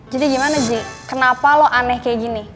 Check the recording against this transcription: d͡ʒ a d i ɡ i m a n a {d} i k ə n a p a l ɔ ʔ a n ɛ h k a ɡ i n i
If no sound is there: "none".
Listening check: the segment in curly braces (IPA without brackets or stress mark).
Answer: d͡ʒ